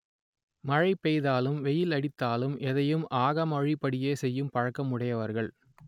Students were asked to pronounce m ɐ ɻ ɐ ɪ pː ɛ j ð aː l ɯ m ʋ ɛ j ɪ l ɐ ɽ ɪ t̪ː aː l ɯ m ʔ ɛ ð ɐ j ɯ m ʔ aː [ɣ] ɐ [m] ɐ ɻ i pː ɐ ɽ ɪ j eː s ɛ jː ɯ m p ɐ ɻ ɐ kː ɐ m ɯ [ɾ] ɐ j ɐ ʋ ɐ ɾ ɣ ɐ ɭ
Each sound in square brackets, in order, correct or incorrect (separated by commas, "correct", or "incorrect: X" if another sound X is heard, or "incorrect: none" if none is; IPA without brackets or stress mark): correct, correct, incorrect: ɽ